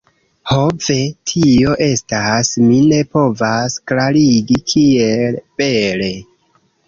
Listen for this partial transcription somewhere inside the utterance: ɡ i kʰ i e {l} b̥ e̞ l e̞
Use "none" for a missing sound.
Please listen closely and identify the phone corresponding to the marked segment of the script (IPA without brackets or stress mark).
l